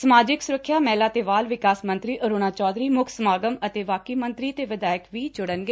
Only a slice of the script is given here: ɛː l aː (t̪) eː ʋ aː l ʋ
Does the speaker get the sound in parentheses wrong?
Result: no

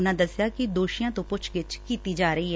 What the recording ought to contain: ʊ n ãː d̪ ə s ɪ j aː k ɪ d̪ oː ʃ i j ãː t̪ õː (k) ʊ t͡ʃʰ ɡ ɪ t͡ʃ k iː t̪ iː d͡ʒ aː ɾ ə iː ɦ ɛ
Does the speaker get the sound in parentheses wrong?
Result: yes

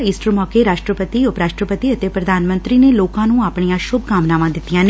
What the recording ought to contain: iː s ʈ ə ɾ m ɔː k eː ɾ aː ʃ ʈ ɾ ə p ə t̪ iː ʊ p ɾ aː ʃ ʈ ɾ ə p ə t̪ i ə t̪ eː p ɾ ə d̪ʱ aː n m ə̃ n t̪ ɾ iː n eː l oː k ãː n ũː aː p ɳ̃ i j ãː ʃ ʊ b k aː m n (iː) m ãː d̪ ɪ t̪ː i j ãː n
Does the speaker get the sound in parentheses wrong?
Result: yes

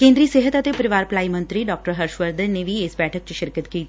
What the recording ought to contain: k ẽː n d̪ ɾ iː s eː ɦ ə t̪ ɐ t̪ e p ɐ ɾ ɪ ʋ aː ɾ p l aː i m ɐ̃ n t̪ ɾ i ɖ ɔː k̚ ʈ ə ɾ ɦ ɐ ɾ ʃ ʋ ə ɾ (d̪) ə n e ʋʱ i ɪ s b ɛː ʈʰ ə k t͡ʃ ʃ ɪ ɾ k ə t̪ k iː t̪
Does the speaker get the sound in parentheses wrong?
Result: no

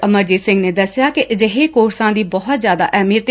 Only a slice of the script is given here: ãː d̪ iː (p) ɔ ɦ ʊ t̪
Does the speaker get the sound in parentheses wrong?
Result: yes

